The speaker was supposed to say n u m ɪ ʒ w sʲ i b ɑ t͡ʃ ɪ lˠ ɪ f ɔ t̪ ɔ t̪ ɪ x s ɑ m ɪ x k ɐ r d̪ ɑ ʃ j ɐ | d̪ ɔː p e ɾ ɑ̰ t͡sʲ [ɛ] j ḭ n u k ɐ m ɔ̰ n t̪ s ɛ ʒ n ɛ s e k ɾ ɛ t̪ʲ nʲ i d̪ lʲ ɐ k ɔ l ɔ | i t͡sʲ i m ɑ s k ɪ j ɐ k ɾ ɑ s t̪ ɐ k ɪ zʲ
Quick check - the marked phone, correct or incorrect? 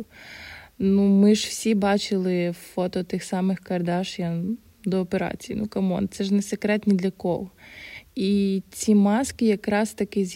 incorrect